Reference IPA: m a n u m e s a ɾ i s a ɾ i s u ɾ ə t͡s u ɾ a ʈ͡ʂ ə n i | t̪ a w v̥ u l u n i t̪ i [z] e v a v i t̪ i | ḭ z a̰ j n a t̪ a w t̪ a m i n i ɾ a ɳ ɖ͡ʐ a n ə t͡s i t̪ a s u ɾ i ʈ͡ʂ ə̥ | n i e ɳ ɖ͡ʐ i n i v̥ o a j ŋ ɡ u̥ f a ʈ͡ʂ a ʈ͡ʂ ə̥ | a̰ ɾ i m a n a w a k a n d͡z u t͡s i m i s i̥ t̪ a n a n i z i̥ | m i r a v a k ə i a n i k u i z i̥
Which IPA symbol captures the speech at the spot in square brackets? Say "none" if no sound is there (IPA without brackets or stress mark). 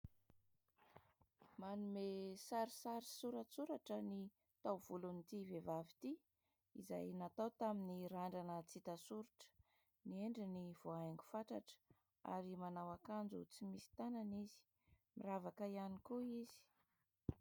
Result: v